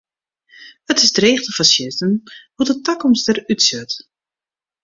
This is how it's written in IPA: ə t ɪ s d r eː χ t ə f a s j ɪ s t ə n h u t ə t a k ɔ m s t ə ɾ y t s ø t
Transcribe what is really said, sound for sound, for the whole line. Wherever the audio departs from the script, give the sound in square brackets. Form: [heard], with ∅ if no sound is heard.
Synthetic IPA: ə t ɪ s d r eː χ t ə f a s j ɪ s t ə n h u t ə t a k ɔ m s t ə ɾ y t s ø t